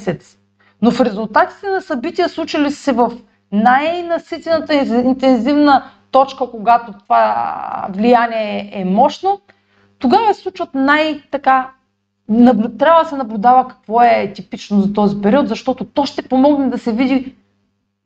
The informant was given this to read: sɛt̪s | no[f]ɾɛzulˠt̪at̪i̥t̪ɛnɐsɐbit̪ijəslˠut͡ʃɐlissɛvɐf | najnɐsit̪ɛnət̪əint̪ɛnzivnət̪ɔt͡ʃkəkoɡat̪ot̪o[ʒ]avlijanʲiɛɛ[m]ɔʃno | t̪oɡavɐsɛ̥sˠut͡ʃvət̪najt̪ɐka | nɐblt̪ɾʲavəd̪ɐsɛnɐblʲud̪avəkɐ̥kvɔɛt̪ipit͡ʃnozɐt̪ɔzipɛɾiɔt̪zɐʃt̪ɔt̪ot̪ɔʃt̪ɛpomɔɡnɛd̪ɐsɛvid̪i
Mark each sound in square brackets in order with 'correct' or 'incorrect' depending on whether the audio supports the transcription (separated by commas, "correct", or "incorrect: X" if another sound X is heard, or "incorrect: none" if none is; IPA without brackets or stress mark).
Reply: correct, incorrect: v, correct